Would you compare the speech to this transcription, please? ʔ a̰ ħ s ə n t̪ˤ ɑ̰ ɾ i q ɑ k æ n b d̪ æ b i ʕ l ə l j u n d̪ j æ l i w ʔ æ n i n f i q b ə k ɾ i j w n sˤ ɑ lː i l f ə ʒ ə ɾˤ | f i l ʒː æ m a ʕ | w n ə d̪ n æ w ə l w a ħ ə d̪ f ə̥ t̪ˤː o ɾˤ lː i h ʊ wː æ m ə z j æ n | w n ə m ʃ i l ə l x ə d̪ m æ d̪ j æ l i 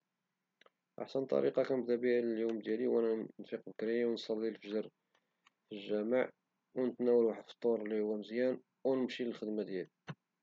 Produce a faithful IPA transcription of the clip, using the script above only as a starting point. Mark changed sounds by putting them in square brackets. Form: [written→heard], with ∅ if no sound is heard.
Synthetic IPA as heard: ʔ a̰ ħ s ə n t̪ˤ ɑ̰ ɾ i q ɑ k æ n b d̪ æ b i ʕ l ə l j u [n→m] d̪ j æ l i w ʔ æ n [i→æ] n f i q b ə k ɾ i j w n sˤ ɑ lː i l f ə ʒ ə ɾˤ | f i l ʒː æ m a ʕ | w n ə [d̪→t̪] n æ w ə l w a ħ ə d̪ f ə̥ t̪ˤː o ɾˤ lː i h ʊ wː æ m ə z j æ n | w n ə m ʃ i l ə l x ə d̪ m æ d̪ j æ l i